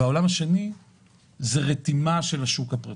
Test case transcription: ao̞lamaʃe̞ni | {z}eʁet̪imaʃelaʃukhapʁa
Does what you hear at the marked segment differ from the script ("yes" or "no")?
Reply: no